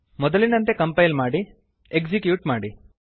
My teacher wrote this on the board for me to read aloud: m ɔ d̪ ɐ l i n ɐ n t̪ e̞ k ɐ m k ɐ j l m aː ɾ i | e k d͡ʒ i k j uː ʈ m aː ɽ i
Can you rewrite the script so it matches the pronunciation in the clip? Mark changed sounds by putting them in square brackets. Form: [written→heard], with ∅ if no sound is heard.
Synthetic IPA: m ɔ d̪ ɐ l i n ɐ n t̪ e̞ k ɐ m [k→p] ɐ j l m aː [ɾ→ɽ] i | e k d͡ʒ i k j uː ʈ m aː ɽ i

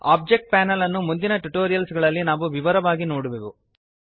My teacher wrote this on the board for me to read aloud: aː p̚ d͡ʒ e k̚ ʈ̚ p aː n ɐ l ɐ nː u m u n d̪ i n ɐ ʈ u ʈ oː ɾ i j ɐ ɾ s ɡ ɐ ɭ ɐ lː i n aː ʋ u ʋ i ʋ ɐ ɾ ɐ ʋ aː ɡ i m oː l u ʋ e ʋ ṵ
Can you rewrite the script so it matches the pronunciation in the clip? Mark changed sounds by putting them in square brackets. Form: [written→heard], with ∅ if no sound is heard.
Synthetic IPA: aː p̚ d͡ʒ e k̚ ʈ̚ p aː n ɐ l ɐ nː u m u n d̪ i n ɐ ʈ u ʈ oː ɾ i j ɐ [ɾ→l] s ɡ ɐ ɭ ɐ lː i n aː ʋ u ʋ i ʋ ɐ ɾ ɐ ʋ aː ɡ i [m→n] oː [l→ɽ] u ʋ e ʋ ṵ

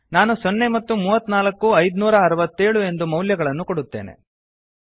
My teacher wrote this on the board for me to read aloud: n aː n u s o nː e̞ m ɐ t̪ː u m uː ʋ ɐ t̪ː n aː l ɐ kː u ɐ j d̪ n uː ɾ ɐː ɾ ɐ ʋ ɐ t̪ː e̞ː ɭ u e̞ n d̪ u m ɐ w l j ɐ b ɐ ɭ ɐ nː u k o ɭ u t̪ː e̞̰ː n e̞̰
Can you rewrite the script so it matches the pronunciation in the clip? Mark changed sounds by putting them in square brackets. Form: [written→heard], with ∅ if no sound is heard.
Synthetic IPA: n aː n u s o nː e̞ m ɐ t̪ː u m uː ʋ ɐ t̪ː n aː l ɐ kː u ɐ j d̪ n uː ɾ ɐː ɾ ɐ ʋ ɐ t̪ː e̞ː ɭ u e̞ n d̪ u m ɐ w l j ɐ [b→ɡ] ɐ ɭ ɐ nː u k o [ɭ→ɽ] u t̪ː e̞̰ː n e̞̰

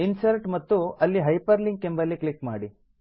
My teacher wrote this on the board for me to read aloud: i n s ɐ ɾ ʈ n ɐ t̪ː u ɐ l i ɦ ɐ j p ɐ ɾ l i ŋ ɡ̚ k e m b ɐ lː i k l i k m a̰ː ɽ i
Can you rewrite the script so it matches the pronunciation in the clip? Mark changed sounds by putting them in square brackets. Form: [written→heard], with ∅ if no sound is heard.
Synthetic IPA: i n s ɐ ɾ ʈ [n→m] ɐ t̪ː u ɐ [l→lː] i ɦ ɐ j p ɐ ɾ l i ŋ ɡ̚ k e m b ɐ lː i k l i k m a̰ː ɽ i

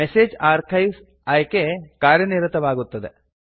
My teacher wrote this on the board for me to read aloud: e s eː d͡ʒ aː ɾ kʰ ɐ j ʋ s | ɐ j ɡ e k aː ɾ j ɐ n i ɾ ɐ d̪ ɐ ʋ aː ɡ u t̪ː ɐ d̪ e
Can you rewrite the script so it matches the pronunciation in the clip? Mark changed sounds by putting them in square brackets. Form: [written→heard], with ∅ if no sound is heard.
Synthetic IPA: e s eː d͡ʒ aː ɾ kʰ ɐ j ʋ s | ɐ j [ɡ→k] e k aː ɾ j ɐ n i ɾ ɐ [d̪→t̪] ɐ ʋ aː ɡ u t̪ː ɐ d̪ e

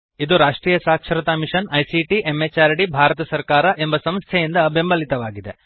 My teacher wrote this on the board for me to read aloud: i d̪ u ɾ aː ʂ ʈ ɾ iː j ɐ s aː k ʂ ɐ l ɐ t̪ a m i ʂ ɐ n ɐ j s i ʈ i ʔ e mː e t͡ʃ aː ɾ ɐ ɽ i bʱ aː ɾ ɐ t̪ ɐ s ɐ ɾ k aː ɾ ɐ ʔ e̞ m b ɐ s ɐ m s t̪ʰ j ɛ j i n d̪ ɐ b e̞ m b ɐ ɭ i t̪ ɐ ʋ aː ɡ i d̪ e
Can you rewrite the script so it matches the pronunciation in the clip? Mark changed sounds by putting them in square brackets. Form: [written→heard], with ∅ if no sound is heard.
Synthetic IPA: i d̪ u ɾ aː ʂ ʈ ɾ iː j ɐ s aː k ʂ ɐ [l→ɾ] ɐ t̪ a m i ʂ ɐ n ɐ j s i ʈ i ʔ e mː e t͡ʃ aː ɾ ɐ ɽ i bʱ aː ɾ ɐ t̪ ɐ s ɐ ɾ k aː ɾ ɐ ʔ e̞ m b ɐ s ɐ m s t̪ʰ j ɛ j i n d̪ ɐ b e̞ m b ɐ [ɭ→l] i t̪ ɐ ʋ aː ɡ i d̪ e

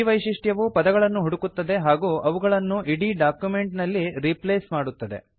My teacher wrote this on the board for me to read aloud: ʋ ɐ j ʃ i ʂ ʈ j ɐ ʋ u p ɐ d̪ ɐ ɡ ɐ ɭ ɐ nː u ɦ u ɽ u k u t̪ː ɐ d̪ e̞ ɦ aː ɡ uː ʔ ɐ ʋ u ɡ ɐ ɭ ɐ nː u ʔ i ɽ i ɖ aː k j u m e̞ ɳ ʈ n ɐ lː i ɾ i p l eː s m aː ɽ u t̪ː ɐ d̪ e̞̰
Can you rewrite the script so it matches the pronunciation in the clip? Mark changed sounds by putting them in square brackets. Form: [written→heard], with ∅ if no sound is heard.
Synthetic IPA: ʋ ɐ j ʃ i ʂ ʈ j ɐ ʋ u p ɐ d̪ ɐ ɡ ɐ ɭ ɐ nː u ɦ u ɽ u k u t̪ː ɐ d̪ e̞ ɦ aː ɡ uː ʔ ɐ ʋ u ɡ ɐ ɭ ɐ nː u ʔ i ɽ i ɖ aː k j u m e̞ ɳ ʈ n ɐ lː i ɾ i p l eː s m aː ɽ u t̪ː ɐ d̪ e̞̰

